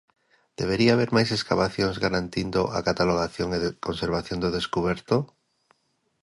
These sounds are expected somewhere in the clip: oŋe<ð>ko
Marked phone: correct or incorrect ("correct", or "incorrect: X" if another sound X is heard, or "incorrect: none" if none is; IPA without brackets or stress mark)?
correct